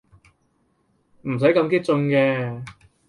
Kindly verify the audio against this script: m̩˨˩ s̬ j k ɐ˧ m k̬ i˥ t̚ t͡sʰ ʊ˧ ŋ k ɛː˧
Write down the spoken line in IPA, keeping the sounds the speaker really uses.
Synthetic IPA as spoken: m̩˨˩ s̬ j k ɐ˧ m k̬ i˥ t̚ t͡s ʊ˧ ŋ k ɛː˧